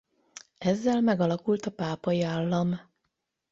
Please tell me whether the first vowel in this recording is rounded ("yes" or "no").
no